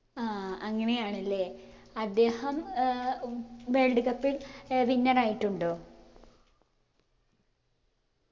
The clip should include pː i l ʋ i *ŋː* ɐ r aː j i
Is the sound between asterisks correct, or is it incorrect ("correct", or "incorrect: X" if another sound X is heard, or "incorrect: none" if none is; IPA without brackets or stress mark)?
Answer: incorrect: nː